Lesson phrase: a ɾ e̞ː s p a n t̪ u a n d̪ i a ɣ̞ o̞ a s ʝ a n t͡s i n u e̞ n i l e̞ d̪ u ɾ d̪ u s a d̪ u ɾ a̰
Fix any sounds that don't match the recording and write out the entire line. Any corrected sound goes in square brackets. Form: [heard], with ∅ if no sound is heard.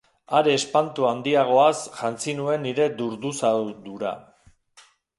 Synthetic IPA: a ɾ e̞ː s p a n t̪ u a n d̪ i a ɣ̞ o̞ a s ʝ a n t͡s i n u e̞ n i [ɾ] e̞ d̪ u ɾ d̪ u s a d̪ u ɾ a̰